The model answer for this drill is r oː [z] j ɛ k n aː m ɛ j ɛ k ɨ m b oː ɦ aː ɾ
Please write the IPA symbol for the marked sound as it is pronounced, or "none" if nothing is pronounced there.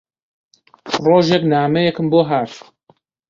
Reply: ʒ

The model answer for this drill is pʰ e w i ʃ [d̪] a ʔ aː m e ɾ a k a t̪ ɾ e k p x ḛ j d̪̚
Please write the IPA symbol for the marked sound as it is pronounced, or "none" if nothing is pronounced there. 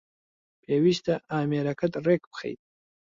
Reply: t̪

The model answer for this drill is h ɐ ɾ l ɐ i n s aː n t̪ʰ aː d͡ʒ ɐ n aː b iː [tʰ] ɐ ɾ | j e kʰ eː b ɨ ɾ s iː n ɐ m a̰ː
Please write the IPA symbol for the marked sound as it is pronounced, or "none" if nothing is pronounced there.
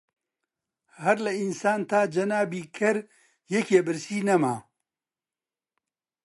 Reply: kʰ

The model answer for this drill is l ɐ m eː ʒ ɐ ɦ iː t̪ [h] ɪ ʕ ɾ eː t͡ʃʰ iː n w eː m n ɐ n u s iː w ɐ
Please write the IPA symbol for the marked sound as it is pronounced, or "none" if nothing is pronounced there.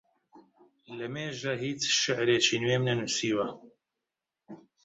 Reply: ʃ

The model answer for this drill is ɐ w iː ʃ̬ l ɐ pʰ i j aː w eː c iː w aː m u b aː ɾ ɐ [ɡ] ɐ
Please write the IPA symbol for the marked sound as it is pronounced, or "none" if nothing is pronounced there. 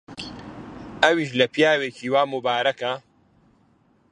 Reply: k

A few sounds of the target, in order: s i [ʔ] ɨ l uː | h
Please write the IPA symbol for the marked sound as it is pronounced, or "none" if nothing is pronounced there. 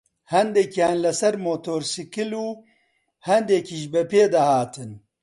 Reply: k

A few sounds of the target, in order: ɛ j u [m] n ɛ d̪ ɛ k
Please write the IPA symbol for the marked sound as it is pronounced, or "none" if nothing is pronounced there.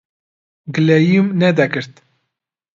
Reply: m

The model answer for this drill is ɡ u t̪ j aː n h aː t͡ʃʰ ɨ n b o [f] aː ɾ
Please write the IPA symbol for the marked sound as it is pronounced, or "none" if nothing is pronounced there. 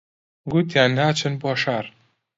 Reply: ʃ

